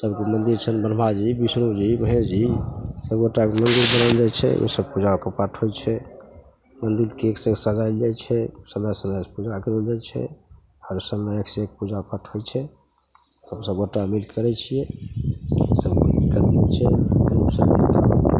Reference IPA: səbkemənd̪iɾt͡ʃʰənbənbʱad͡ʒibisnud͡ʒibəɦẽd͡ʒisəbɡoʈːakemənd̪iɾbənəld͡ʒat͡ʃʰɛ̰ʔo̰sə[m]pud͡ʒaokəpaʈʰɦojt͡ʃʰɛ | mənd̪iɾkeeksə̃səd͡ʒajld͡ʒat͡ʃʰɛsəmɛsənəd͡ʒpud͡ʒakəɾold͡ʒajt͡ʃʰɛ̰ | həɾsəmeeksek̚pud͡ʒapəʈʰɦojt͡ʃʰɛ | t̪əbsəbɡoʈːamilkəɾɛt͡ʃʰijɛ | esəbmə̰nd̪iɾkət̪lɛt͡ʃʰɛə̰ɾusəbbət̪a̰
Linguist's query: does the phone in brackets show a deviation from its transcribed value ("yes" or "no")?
yes